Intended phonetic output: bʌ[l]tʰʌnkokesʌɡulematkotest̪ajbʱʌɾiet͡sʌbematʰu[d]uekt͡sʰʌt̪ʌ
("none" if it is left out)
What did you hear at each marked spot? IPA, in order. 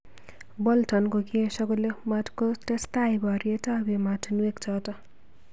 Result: l, n

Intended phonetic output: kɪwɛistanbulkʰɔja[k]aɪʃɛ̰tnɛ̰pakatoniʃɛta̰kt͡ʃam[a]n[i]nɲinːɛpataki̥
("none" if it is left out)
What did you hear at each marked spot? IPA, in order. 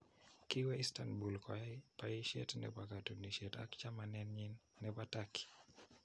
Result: p, a, ɛ

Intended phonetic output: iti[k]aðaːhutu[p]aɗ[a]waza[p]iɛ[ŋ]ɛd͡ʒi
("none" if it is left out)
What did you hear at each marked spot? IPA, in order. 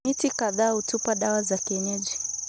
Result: k, p, a, k, ɲ

